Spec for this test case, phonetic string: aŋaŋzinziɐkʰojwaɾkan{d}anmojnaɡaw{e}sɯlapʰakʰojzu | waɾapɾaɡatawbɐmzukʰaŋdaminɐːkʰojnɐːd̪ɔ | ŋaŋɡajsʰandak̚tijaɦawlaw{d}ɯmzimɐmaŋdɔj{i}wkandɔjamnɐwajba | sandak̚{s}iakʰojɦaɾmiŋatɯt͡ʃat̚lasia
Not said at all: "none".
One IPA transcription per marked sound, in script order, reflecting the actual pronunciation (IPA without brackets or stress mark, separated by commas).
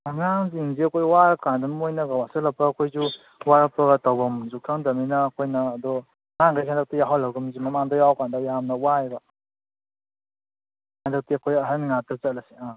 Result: d, a, ɡ, a, t